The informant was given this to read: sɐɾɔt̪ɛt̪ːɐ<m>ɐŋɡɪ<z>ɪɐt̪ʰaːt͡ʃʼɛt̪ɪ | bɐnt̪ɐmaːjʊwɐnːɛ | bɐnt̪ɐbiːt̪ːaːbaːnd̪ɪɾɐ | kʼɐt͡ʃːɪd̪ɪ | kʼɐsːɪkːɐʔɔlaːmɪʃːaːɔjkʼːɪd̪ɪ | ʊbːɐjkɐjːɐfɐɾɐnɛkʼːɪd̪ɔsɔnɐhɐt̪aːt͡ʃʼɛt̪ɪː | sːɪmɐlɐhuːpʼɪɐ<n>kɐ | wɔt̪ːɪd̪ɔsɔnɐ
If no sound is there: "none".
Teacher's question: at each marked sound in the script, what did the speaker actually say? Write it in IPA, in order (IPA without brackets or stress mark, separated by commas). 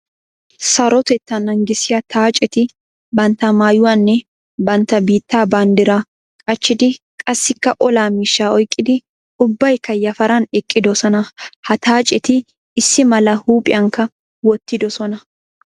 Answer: n, s, ŋ